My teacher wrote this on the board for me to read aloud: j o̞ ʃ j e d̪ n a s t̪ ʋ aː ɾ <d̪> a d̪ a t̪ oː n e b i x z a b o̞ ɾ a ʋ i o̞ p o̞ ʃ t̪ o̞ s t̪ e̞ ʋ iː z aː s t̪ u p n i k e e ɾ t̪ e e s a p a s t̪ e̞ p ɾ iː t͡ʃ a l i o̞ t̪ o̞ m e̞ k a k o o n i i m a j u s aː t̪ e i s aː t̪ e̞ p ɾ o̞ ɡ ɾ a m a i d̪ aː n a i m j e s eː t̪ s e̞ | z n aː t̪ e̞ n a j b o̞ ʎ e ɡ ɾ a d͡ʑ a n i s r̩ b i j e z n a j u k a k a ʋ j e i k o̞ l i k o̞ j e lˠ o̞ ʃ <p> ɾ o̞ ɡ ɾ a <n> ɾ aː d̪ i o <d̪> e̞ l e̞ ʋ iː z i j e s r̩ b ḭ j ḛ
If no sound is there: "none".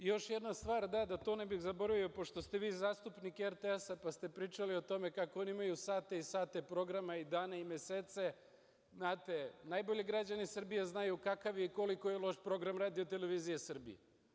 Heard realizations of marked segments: d̪, p, m, t̪

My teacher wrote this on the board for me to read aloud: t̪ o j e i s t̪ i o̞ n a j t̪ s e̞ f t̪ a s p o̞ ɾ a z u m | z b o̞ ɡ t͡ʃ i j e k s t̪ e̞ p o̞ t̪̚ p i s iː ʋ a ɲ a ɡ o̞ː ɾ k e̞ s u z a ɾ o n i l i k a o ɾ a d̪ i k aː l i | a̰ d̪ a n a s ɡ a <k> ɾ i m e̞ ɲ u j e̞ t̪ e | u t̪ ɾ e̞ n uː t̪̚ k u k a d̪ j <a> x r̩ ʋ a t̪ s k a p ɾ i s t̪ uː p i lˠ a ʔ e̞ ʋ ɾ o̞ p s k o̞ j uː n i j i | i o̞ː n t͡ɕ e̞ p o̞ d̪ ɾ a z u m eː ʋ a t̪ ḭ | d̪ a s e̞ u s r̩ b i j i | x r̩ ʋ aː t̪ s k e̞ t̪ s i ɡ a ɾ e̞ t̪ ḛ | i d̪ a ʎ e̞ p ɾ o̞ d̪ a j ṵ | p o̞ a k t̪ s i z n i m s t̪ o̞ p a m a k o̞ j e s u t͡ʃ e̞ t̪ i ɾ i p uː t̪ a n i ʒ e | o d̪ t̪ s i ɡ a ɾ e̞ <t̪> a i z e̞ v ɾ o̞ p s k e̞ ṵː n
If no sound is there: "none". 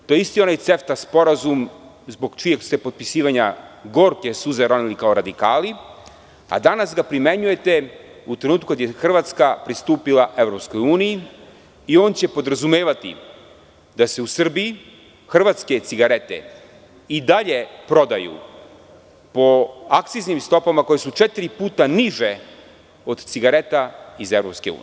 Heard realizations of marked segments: p, e, t̪

